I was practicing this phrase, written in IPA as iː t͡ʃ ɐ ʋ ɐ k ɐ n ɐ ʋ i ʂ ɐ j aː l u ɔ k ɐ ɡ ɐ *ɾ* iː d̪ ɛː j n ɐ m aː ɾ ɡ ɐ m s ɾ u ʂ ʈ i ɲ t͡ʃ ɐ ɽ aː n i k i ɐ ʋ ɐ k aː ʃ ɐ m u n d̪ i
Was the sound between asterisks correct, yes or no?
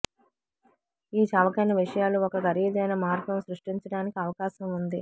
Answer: yes